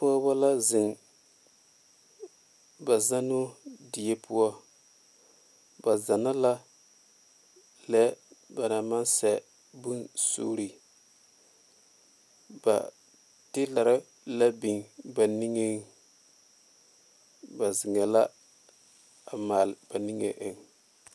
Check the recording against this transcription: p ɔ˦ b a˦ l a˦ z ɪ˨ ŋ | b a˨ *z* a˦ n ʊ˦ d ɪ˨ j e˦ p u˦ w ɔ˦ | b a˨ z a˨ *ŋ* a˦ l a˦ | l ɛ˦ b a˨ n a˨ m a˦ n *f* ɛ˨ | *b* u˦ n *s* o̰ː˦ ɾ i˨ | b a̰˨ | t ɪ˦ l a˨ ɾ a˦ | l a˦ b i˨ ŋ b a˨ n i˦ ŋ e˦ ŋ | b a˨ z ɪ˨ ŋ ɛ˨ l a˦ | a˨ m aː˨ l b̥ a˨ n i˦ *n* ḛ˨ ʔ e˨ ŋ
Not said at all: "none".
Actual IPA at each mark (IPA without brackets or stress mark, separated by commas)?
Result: z, n, s, b, s, ŋ